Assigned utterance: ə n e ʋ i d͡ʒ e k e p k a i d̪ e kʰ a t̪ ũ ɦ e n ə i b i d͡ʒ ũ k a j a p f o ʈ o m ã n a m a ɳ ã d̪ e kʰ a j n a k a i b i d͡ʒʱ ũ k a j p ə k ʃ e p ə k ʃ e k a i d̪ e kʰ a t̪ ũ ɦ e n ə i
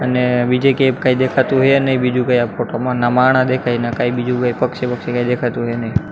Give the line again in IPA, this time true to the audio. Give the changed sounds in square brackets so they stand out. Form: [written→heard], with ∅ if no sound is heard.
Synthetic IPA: ə n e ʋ i d͡ʒ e k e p k a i d̪ e kʰ a t̪ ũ ɦ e n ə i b i d͡ʒ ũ k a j a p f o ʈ o m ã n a m a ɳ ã d̪ e kʰ a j n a k a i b i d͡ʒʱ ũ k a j p ə k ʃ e p ə k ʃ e k a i d̪ e kʰ a t̪ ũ ɦ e n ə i